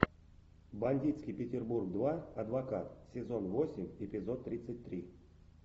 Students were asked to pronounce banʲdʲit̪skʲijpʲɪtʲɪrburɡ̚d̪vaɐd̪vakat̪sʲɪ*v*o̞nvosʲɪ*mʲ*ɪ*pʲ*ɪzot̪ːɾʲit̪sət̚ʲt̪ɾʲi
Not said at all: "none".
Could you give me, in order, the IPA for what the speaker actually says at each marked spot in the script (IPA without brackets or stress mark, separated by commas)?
z, mʲ, pʲ